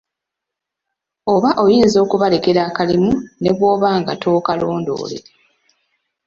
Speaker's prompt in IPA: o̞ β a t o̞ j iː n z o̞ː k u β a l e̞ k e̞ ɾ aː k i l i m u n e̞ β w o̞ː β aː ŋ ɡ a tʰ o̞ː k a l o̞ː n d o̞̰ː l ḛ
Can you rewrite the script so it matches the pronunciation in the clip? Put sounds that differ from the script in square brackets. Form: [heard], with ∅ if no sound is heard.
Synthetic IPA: o̞ β a [ʔ] o̞ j iː n z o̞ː k u β a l e̞ k e̞ ɾ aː k [a] l i m u n e̞ β w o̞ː β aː ŋ ɡ a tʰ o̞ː k a l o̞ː n d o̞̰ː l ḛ

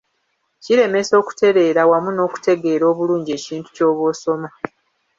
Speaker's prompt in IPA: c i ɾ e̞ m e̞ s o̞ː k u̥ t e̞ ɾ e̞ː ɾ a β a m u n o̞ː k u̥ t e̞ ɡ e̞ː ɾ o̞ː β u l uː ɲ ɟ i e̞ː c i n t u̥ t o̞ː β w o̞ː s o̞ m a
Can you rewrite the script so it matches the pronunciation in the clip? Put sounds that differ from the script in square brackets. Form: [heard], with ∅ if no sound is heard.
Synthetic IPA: c i ɾ e̞ m e̞ s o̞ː k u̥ t e̞ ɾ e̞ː ɾ a [w] a m u n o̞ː k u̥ t e̞ ɡ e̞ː ɾ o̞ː β u l uː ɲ ɟ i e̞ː c [iː] n t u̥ [c] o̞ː β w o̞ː s o̞ m a

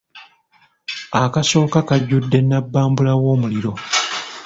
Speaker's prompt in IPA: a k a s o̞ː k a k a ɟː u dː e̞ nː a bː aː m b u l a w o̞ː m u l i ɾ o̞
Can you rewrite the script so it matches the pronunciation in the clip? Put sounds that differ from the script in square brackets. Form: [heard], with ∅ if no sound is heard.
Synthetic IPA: a k a s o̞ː k a k a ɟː u dː e̞ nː a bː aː m b u l a w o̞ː m u l i ɾ o̞

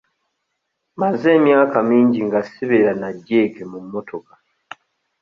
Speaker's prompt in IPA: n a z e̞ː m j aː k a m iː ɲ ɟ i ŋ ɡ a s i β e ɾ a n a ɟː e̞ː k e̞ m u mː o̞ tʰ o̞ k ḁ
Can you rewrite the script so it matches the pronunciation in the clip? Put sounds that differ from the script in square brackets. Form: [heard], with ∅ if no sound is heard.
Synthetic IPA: [m] a z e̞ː m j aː k a m iː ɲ ɟ i ŋ ɡ a s i β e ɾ a n a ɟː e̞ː k e̞ m u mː o̞ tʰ o̞ k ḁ

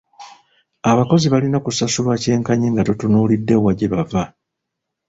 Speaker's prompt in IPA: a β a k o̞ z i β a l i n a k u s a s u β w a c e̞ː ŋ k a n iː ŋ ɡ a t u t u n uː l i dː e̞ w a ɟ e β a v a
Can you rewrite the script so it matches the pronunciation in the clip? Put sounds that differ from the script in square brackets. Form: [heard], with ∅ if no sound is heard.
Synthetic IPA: a β a k o̞ z i β a l i n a k u s a s u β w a c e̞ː ŋ k a [ɲ] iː ŋ ɡ a t u t u n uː l i dː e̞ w a ɟ e β a v a

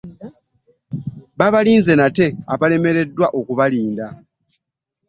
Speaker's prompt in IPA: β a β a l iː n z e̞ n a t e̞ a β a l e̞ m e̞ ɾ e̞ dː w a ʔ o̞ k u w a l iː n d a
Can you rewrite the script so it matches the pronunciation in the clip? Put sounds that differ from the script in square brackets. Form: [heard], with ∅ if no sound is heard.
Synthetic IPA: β a β a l iː n z e̞ n a t e̞ a β a l e̞ m e̞ ɾ e̞ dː w a ʔ o̞ k u [β] a l iː n d a

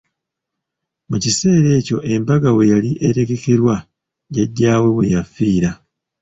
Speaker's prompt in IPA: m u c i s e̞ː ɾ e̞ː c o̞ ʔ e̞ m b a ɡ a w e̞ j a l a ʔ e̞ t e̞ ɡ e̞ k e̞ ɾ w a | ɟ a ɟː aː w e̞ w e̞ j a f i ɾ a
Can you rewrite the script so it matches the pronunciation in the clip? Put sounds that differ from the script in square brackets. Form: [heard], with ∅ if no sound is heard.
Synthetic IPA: m u c i s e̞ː ɾ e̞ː c o̞ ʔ e̞ m b a ɡ a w e̞ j a l [i] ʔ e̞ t e̞ ɡ e̞ k e̞ ɾ w a | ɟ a ɟː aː w e̞ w e̞ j a f [iː] ɾ a

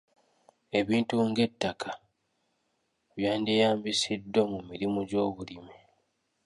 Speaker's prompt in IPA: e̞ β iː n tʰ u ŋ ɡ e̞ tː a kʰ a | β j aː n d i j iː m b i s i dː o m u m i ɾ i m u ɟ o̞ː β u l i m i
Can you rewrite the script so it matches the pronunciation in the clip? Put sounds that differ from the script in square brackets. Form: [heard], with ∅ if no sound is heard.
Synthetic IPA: e̞ β iː n [t] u ŋ ɡ e̞ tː a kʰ a | β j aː n d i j [aː] m b i s i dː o m u m i ɾ i m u ɟ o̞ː β u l i m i

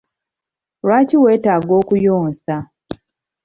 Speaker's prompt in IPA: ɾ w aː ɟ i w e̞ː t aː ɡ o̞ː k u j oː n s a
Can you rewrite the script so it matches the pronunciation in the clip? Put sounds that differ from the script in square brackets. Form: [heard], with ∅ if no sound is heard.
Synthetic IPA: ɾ w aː [c] i w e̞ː t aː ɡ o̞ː k u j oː n s a

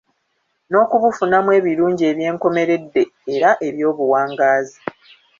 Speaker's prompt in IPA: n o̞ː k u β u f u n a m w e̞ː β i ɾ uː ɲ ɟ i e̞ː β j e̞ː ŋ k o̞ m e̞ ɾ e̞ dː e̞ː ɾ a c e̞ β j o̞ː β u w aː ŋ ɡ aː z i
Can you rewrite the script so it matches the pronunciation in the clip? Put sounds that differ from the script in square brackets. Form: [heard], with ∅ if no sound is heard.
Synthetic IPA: n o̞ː k u β u f u n a m w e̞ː β i ɾ uː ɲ ɟ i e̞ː β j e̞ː ŋ k o̞ m e̞ ɾ e̞ dː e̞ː ɾ a [ʔ] e̞ β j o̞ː β u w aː ŋ ɡ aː z i

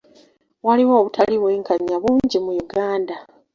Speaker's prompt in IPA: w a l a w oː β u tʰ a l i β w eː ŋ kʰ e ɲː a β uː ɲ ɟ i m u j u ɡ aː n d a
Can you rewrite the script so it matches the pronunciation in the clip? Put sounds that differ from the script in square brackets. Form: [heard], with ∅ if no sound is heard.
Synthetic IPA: w a l [i] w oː β u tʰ a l i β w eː ŋ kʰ [a] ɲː a β uː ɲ ɟ i m u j u ɡ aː n d a

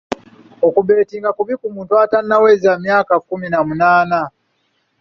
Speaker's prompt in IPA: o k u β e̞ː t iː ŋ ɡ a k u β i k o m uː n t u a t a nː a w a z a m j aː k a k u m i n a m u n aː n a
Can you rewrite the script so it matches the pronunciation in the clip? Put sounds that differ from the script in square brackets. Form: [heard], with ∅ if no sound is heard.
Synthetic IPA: o k u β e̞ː t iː ŋ ɡ a k u β i k [u] m uː n t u a t a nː a w [e] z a m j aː k a k u m i n a m u n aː n a

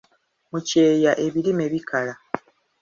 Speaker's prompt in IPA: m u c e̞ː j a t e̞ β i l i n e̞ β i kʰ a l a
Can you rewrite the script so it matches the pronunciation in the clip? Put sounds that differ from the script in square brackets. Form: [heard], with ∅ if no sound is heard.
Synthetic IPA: m u c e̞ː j a [ʔ] e̞ β i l i [m] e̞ β i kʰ a l a

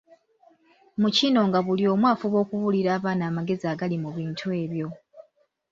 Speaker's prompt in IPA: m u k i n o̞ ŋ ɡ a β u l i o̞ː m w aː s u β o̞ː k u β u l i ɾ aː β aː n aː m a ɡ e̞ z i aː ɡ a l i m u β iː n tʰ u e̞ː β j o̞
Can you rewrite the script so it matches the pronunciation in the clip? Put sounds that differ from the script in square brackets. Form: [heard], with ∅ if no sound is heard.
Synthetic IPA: m u [c] i n o̞ ŋ ɡ a β u l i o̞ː m w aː [f] u β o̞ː k u β u l i ɾ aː β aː n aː m a ɡ e̞ z i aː ɡ a l i m u β iː n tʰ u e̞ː β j o̞

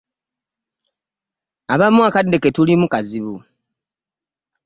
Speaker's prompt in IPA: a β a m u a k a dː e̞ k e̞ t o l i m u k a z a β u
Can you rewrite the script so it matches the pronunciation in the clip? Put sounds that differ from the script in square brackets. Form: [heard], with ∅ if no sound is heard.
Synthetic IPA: a β a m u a k a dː e̞ k e̞ t [u] l i m u k a z [i] β u

